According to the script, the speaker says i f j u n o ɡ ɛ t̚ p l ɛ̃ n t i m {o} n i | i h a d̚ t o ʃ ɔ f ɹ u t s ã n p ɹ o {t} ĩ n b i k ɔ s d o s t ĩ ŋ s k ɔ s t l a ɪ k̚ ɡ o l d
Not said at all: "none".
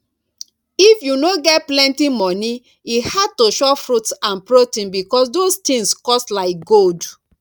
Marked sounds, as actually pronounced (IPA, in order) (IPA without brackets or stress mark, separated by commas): ɔ, t